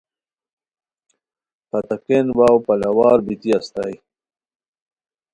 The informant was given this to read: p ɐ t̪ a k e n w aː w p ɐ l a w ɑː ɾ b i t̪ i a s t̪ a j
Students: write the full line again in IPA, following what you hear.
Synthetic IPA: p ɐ t̪ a k e n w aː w p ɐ l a w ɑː ɾ b i t̪ i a s t̪ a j